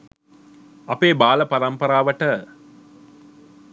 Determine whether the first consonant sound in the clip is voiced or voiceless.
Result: voiceless